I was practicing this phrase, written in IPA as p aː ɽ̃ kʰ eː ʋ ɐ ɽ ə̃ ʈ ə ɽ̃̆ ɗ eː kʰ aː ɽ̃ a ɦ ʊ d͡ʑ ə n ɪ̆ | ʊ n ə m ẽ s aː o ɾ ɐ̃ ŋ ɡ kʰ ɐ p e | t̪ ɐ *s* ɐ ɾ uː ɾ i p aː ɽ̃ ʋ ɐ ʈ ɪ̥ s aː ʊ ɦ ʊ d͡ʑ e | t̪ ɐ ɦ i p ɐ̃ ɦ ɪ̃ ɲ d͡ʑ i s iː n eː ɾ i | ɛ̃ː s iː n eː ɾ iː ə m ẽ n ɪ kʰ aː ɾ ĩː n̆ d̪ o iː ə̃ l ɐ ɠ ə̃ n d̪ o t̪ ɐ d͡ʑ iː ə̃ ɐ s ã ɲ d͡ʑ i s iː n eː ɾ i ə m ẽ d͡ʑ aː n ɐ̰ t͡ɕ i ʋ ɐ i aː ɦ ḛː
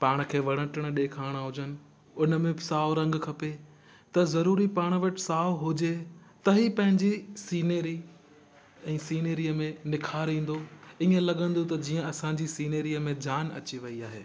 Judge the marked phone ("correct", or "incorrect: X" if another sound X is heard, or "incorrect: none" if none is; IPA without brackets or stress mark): incorrect: z